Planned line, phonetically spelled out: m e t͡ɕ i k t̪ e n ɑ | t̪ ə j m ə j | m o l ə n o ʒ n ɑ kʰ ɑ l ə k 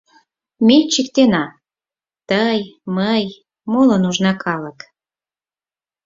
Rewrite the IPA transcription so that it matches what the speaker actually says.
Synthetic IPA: m e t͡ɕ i k t̪ e n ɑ | t̪ ə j m ə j | m o l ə n u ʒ n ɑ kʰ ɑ l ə k